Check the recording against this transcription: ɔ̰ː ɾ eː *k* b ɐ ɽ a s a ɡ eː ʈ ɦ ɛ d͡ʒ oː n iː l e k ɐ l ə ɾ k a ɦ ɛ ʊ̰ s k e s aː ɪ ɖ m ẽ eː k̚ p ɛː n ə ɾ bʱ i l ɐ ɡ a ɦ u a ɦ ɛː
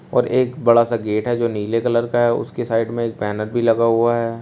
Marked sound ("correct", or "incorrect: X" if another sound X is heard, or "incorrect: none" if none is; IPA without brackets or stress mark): correct